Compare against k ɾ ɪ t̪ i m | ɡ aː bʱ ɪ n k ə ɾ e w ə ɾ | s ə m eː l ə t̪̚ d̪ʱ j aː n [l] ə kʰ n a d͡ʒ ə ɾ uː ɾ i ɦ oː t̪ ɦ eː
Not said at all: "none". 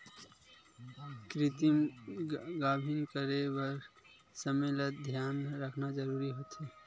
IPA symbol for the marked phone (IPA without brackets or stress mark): ɾ